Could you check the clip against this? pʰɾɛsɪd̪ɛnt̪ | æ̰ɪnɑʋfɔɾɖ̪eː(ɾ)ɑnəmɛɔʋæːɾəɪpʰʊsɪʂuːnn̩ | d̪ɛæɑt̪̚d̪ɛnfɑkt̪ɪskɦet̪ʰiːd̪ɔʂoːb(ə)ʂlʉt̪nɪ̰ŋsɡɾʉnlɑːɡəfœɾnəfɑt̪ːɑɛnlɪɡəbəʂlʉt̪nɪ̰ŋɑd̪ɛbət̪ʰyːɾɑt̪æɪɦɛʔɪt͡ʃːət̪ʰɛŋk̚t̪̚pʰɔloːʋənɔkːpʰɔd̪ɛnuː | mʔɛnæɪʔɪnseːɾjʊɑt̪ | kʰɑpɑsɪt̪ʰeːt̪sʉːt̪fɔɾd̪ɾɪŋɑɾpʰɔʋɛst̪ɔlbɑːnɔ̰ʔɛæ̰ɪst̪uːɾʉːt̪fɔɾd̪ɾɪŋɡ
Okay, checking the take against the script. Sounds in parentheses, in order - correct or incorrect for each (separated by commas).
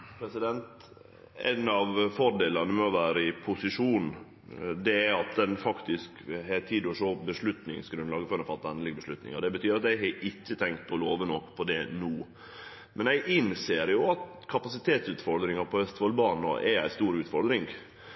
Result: incorrect, correct